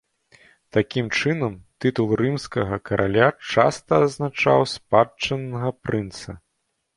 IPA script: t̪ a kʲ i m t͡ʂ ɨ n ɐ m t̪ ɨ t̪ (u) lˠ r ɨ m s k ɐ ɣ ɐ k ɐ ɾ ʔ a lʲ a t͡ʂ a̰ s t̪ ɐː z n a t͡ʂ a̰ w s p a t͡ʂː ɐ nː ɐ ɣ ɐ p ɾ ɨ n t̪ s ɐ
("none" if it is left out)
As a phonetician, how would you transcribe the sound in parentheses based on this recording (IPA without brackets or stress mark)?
u